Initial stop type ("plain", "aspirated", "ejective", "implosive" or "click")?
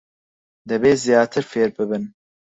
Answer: plain